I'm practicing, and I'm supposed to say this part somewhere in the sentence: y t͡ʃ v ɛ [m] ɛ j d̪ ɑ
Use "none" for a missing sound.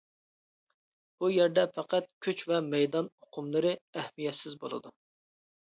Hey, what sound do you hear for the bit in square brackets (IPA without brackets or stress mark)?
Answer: m